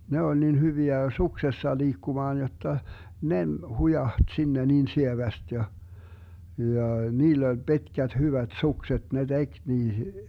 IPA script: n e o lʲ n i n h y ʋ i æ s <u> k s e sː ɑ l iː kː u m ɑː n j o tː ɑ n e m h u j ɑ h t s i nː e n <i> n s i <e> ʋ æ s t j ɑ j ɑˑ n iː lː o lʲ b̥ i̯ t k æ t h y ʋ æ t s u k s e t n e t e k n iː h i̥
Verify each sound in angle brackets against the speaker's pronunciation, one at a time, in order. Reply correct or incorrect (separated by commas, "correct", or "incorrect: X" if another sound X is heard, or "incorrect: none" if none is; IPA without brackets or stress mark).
correct, incorrect: iː, correct